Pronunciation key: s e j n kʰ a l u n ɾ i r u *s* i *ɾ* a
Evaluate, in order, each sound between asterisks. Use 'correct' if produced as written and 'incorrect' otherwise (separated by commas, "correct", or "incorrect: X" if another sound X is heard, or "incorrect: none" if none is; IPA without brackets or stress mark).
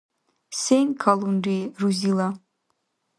incorrect: z, incorrect: l